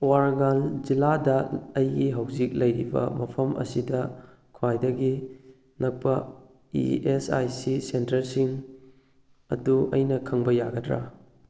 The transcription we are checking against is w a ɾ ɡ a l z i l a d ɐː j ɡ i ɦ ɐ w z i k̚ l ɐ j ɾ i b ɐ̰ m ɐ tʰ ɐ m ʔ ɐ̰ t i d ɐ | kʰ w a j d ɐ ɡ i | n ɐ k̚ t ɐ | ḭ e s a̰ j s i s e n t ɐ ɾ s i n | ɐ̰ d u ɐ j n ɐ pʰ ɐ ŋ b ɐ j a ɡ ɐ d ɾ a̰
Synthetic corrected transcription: w a ɾ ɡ a l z i l a d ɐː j ɡ i ɦ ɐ w z i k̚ l ɐ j ɾ i b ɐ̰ m ɐ pʰ ɐ m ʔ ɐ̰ s i d ɐ | kʰ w a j d ɐ ɡ i | n ɐ k̚ p ɐ | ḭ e s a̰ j s i s e n t ɐ ɾ s i ŋ | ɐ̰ d u ɐ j n ɐ kʰ ɐ ŋ b ɐ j a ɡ ɐ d ɾ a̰